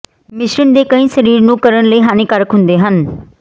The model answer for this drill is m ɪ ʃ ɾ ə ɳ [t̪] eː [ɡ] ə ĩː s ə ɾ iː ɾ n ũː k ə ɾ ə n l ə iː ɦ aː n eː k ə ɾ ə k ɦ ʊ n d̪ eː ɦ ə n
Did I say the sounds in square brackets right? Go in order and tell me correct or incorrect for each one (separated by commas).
incorrect, incorrect